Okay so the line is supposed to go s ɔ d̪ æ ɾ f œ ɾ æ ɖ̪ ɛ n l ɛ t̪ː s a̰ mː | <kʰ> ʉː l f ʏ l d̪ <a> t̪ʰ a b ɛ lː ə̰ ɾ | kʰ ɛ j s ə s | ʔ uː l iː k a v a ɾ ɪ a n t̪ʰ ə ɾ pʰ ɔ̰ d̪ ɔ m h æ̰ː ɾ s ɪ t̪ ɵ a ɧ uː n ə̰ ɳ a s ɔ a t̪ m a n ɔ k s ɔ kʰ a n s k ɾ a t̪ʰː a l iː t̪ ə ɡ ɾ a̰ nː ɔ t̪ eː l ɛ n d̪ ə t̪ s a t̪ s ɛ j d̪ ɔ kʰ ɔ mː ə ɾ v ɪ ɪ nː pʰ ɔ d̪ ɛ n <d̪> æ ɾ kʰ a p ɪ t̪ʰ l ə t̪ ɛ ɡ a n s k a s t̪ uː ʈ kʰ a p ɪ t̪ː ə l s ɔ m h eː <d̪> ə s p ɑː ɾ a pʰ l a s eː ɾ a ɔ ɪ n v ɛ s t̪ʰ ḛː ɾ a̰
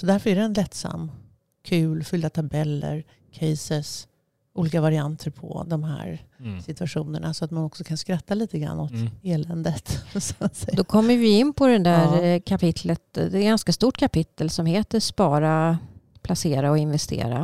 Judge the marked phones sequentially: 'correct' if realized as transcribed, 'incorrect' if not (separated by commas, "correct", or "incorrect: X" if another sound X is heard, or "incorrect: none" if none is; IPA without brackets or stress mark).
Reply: correct, correct, correct, incorrect: t̪